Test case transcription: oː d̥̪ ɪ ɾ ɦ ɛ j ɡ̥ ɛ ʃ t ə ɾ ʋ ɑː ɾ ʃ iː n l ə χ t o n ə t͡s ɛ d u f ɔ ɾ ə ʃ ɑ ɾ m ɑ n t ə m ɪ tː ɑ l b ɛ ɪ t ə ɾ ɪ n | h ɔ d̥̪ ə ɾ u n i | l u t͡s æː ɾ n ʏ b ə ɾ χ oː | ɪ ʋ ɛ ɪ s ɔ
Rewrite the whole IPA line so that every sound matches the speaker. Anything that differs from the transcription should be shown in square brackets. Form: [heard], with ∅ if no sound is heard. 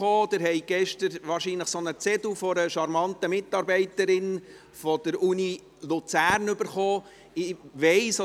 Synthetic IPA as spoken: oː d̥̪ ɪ ɾ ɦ ɛ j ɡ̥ ɛ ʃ t ə ɾ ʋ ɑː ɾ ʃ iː n l ə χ [s] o n ə t͡s ɛ d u f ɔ ɾ ə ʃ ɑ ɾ m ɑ n t ə m ɪ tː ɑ [ɾ] b ɛ ɪ t ə ɾ ɪ n | [f] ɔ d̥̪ ə ɾ u n i | l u t͡s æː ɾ n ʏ b ə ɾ χ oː | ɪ ʋ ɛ ɪ s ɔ